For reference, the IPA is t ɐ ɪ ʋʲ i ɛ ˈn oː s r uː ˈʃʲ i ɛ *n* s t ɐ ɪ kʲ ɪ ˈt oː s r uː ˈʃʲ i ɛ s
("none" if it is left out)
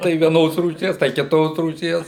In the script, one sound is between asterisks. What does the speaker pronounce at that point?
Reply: none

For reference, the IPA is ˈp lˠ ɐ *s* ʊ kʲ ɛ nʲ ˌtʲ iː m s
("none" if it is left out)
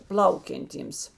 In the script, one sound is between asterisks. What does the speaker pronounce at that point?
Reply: none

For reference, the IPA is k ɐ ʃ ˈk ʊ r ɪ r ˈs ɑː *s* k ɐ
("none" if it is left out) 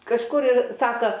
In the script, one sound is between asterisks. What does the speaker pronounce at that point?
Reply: none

